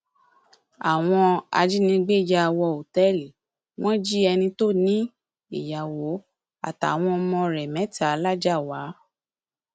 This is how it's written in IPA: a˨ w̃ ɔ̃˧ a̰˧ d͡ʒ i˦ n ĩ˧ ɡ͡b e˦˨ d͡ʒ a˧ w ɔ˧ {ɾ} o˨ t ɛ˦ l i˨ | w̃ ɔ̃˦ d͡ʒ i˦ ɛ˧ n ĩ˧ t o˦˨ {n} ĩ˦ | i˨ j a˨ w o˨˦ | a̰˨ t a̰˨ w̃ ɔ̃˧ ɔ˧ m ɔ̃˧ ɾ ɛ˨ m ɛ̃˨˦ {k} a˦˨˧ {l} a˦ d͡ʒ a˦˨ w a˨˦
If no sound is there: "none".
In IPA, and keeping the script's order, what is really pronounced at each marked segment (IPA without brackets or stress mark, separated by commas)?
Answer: none, n, t, l